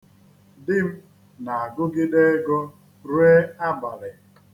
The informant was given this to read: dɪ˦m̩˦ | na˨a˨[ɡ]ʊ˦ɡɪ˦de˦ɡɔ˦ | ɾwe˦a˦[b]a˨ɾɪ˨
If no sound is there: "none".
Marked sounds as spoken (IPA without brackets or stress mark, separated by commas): ɡ, b